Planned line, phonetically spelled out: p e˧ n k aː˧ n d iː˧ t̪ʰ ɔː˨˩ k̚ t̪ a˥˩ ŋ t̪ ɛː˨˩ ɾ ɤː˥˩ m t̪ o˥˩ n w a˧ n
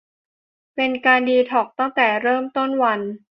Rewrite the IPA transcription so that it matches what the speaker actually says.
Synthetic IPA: p e˧ n k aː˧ n d iː˧ t̪ʰ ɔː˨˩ k̚ t̪ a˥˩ ŋ t̪ ɛː˨˩ ɾ ɤː˥˩ m t̪ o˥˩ n w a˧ n